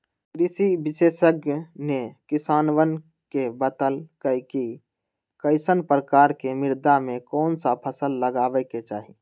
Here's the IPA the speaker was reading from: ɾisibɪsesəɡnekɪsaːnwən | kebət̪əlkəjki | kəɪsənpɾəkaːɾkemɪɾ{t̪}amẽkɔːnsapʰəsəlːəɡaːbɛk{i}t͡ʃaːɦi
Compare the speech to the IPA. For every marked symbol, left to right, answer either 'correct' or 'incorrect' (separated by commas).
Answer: incorrect, incorrect